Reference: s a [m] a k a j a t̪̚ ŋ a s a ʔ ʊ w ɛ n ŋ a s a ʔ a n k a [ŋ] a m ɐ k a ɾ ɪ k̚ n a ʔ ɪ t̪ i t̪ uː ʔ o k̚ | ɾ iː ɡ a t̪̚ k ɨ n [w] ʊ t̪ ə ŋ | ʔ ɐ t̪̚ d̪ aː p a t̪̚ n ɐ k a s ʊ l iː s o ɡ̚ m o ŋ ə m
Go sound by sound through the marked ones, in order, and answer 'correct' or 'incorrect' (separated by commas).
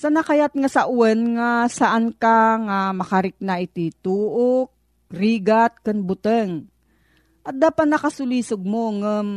incorrect, correct, incorrect